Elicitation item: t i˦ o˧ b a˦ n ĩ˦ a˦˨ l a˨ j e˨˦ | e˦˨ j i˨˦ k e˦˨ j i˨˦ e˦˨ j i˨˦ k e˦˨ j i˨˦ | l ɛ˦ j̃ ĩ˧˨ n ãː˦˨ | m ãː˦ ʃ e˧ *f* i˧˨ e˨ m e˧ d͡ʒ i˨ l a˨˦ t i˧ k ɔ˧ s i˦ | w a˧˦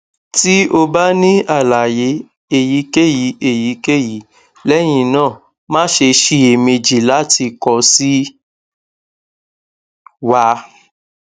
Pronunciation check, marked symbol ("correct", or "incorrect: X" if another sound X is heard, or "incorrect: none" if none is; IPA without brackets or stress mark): incorrect: ʃ